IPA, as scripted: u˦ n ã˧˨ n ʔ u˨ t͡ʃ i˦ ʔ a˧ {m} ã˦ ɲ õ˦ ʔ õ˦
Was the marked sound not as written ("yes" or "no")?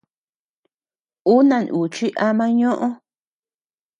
no